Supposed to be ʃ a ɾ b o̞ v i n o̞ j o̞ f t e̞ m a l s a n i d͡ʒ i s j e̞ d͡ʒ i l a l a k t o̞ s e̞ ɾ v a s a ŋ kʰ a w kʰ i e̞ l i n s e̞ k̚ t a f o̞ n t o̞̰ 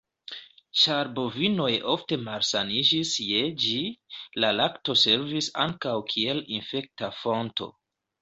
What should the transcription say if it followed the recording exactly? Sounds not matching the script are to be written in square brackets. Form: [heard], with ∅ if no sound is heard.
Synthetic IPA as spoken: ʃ a ɾ b o̞ v i n o̞ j o̞ f t e̞ m a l s a n i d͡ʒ i s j e̞ d͡ʒ i l a l a k t o̞ s e̞ ɾ v [i] s a ŋ [k] a w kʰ i e̞ l i n [f] e̞ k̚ t a f o̞ n t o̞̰